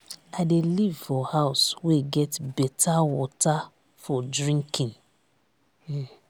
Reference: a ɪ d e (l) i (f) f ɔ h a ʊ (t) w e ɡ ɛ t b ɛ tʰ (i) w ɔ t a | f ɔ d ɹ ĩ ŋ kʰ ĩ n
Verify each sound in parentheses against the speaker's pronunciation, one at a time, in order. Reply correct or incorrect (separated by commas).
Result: correct, incorrect, incorrect, incorrect